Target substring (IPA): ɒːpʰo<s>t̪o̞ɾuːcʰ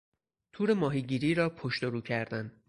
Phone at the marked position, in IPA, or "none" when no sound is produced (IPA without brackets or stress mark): ʃ